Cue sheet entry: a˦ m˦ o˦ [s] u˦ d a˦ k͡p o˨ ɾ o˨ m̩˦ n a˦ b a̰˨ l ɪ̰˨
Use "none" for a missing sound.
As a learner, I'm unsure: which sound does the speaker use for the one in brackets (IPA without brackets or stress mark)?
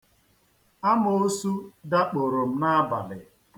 s